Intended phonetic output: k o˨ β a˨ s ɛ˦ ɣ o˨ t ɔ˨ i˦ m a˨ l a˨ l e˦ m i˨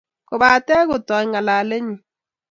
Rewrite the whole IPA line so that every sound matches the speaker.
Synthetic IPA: k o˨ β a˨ t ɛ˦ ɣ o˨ t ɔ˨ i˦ ŋ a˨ l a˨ l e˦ ɲ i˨